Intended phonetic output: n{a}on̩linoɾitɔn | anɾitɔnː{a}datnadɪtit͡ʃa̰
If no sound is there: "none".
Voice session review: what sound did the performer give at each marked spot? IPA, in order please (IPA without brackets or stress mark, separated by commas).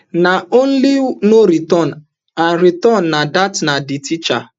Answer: a, a